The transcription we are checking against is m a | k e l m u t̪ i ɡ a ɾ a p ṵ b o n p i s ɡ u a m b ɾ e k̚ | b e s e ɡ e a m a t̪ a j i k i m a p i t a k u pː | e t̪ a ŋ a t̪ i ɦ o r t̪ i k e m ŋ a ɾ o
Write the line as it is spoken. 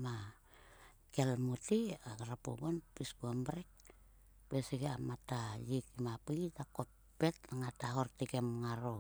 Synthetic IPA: m a | k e l m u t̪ i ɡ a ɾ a p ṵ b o n p i s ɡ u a m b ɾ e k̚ | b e s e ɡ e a m a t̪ a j i k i m a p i t a k o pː | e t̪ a ŋ a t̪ a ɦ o r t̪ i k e m ŋ a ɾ o

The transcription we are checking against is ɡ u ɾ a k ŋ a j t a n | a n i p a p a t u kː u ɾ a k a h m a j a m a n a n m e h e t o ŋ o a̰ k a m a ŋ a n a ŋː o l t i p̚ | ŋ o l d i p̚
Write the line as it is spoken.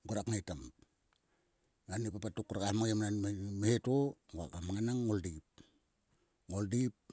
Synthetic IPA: ɡ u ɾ a k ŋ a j t a m | a n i p a p a t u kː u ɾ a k a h m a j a m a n a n m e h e t o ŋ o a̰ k a m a ŋ a n a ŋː o l d i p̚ | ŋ o l d i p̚

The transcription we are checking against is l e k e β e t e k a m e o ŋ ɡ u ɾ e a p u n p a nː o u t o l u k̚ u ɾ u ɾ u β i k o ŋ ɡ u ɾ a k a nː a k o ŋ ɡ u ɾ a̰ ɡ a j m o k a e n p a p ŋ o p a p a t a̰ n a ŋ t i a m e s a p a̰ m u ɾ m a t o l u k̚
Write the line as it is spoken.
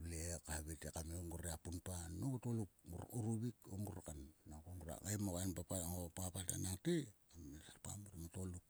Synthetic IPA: l e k a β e t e k a m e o ŋ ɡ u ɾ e a p u n p a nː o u t o l u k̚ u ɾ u ɾ u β i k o ŋ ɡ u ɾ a k a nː a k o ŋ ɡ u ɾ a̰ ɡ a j m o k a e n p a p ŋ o p a p a t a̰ n a ŋ t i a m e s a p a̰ m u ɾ m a t o l u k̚

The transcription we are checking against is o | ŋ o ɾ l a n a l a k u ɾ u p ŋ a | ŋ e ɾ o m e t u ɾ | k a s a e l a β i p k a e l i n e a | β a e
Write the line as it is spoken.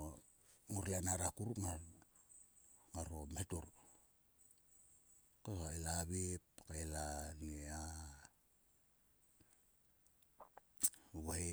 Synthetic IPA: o | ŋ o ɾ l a n a ɾ a k u ɾ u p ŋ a | ŋ a ɾ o m e t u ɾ | k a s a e l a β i p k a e l a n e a | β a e

